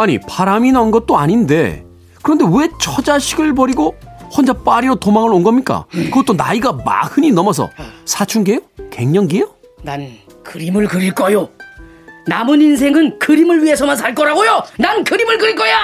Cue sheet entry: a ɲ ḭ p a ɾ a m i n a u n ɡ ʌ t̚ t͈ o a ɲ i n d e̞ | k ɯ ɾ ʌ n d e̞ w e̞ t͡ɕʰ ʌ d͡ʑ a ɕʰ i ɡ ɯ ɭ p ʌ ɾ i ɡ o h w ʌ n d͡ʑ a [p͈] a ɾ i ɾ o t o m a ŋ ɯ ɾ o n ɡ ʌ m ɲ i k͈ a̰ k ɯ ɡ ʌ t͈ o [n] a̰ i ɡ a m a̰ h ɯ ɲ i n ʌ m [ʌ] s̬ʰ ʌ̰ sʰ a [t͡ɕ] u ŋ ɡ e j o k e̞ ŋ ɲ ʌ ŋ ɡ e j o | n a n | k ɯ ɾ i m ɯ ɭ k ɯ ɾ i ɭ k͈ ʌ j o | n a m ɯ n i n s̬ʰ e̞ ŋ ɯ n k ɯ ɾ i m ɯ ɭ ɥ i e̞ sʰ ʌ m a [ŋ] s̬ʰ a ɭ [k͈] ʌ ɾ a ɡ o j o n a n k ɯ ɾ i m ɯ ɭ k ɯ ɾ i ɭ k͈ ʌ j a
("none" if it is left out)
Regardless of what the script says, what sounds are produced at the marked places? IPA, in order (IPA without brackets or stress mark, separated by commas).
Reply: p͈, n, ʌ, t͡ɕʰ, n, k͈